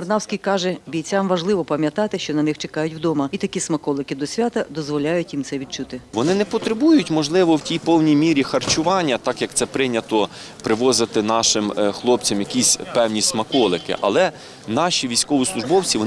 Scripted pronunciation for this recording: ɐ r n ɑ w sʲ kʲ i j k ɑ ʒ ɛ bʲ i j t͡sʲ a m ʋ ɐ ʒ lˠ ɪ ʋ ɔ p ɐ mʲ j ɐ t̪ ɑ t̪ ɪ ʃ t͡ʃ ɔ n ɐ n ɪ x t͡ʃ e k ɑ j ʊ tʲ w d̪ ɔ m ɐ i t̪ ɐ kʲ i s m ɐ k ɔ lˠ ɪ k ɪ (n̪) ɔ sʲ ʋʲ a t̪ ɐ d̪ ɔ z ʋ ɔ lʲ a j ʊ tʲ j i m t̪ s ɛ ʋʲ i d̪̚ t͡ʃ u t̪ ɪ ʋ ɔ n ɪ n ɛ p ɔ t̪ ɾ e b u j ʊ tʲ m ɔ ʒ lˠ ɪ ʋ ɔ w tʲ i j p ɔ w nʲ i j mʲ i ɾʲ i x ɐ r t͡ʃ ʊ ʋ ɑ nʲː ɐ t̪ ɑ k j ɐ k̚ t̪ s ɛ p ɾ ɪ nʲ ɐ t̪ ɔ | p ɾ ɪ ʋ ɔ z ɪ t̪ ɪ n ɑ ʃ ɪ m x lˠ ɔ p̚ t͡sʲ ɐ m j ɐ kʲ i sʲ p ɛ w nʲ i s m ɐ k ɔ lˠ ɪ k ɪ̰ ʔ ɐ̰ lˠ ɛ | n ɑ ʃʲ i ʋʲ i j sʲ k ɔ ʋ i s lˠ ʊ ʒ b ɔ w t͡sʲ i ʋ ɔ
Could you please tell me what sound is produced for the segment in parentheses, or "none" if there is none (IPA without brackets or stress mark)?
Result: d̪